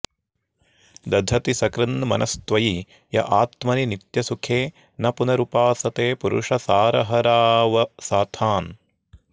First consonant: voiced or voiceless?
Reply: voiced